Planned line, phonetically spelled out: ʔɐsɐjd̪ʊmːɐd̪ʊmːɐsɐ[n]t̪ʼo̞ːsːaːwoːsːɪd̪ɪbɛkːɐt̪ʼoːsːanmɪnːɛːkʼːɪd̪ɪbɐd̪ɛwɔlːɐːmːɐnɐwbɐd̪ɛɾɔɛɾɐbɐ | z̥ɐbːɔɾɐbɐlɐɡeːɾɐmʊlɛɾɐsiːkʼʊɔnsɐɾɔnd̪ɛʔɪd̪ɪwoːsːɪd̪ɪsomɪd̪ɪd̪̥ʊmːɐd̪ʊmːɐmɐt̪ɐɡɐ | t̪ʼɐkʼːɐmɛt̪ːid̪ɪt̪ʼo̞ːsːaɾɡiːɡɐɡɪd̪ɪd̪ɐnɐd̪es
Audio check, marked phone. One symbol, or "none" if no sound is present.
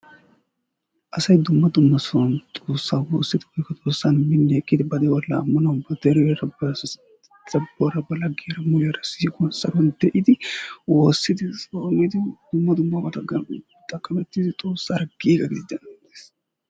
n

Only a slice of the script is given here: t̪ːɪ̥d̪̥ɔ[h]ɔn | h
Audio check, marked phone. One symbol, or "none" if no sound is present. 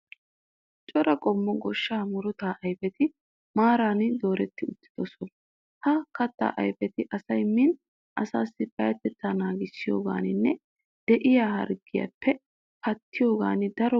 s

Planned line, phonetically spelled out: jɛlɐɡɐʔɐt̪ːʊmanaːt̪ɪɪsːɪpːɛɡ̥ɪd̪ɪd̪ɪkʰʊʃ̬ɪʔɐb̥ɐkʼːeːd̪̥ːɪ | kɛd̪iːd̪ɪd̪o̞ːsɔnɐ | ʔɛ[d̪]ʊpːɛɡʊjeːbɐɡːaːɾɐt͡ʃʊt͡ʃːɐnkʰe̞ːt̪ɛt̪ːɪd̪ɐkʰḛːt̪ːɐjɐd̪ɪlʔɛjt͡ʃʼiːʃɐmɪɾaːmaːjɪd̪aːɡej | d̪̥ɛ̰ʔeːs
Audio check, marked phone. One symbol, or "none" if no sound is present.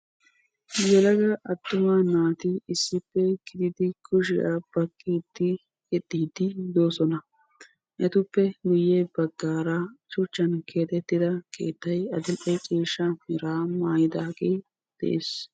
t̪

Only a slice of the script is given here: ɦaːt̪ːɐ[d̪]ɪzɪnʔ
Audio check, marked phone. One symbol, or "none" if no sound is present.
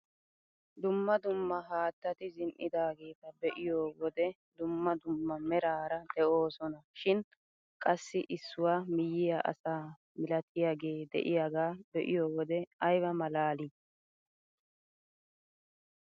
t̪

